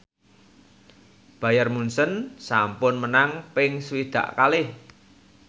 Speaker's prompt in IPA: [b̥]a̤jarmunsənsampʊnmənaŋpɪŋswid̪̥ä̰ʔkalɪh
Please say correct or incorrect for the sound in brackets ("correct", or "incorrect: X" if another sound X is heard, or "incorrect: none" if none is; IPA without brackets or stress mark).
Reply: correct